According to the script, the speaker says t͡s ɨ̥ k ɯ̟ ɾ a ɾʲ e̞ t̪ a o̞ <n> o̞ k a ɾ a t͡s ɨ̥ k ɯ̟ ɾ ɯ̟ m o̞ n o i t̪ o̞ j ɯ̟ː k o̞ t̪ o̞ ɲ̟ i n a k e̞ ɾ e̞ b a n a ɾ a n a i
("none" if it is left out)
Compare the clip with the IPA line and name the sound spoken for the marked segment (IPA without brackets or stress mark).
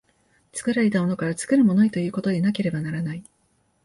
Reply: n